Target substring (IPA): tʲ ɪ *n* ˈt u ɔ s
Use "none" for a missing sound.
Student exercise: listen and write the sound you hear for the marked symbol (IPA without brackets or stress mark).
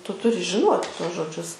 none